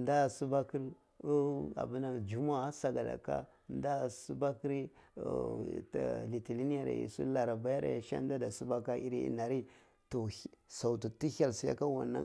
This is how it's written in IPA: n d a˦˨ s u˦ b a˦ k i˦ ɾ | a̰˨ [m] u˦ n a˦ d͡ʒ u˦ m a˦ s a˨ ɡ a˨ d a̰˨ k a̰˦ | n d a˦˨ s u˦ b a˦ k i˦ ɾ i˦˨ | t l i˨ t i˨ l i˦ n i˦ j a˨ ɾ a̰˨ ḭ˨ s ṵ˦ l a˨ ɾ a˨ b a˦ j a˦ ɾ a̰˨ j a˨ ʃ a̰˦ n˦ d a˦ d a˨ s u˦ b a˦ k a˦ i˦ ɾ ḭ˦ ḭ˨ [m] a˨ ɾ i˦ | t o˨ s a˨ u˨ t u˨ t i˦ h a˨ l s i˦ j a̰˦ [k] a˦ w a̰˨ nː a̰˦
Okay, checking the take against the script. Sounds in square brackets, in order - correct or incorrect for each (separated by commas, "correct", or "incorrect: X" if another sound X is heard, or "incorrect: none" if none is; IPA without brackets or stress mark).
incorrect: b, incorrect: n, correct